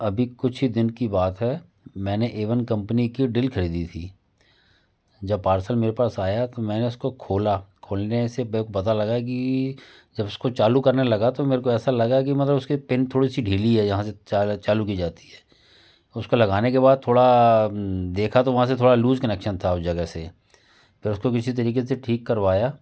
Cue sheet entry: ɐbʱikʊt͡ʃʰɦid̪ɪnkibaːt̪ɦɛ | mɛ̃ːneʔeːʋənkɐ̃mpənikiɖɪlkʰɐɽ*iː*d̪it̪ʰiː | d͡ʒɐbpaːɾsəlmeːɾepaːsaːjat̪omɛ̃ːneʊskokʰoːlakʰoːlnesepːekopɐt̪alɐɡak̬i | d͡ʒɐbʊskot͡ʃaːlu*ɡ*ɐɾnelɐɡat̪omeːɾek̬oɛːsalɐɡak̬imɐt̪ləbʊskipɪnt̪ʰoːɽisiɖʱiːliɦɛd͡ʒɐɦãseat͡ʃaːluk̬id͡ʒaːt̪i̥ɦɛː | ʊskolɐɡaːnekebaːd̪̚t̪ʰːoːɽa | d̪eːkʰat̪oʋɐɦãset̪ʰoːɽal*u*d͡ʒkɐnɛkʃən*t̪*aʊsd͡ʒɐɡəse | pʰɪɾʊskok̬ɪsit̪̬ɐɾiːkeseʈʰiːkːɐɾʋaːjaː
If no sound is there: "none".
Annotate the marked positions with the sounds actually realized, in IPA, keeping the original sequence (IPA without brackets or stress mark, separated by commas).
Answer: iː, k, uː, t̪ʰ